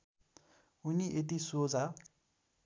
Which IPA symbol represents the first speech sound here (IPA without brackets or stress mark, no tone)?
u